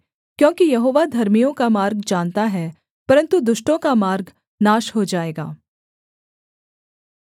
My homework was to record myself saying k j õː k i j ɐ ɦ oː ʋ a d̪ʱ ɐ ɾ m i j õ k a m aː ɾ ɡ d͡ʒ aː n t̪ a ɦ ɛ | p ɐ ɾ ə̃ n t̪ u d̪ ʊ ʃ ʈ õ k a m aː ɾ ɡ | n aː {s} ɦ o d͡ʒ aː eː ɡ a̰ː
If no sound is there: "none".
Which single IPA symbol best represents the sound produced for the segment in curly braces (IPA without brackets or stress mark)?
ʃ